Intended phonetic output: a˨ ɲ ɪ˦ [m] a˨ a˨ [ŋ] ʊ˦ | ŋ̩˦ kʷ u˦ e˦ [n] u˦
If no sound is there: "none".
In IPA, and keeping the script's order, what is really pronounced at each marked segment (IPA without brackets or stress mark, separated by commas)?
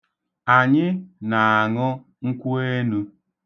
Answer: n, ŋ, n